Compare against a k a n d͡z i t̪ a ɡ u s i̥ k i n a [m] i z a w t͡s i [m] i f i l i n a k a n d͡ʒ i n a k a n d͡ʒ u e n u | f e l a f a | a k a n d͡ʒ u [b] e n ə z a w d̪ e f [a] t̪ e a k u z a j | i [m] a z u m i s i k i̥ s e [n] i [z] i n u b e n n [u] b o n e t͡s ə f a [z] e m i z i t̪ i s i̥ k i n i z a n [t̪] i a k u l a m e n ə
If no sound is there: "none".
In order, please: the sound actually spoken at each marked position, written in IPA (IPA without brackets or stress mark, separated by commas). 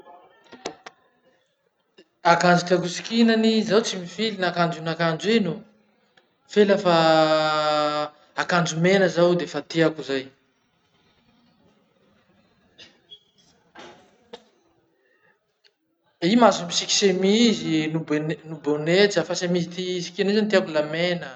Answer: n, m, m, a, m, m, z, u, s, t̪